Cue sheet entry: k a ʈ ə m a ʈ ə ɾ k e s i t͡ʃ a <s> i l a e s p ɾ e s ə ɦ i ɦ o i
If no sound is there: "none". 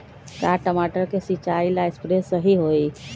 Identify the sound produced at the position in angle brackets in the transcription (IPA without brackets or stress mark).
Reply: none